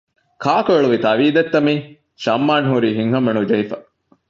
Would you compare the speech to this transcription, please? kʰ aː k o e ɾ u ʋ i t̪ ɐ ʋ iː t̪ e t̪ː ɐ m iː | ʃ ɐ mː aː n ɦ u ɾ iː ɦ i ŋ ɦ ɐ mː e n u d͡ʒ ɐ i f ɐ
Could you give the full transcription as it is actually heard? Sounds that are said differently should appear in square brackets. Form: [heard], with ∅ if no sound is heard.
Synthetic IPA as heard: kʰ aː k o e [ɭ] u ʋ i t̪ ɐ ʋ iː [d̪] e t̪ː ɐ m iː | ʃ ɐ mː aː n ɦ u ɾ iː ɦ i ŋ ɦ ɐ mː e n u d͡ʒ ɐ i f ɐ